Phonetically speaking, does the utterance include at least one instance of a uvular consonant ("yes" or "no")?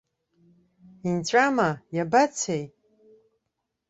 no